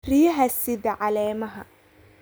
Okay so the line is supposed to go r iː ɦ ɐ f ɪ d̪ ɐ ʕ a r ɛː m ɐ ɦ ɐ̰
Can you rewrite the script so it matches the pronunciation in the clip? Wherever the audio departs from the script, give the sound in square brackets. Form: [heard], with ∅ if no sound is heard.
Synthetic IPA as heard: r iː ɦ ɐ [s] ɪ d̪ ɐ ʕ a [l] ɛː m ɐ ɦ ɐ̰